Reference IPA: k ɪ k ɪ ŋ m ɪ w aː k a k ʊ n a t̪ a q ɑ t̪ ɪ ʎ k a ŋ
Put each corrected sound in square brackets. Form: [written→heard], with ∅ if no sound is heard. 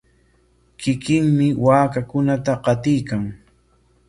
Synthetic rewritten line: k ɪ k ɪ ŋ m ɪ w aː k a k ʊ n a t̪ a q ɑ t̪ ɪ [ʎ→j] k a ŋ